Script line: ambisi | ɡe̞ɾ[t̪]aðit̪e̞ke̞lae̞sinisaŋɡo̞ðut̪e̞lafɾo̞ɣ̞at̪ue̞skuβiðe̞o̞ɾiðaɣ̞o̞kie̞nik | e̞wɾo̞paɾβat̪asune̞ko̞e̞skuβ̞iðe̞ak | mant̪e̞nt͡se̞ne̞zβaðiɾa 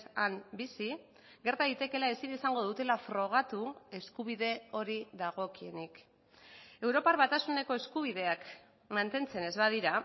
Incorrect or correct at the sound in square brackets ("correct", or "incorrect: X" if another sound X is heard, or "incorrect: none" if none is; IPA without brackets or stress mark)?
correct